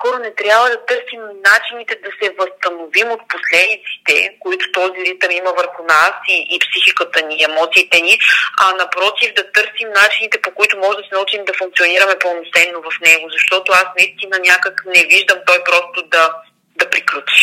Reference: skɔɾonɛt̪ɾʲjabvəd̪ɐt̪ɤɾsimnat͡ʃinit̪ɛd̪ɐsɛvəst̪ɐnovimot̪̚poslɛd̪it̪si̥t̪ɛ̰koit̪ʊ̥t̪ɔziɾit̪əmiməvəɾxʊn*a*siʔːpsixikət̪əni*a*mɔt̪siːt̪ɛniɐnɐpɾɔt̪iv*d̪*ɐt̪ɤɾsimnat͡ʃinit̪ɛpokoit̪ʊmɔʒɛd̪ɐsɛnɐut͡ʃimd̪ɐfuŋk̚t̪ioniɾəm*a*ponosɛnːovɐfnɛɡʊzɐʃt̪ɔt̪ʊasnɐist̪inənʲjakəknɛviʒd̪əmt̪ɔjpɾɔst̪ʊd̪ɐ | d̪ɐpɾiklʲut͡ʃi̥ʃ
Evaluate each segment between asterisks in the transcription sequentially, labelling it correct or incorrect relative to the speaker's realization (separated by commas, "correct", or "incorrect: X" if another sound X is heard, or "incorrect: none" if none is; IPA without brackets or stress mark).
correct, incorrect: ɛ, correct, incorrect: ɛ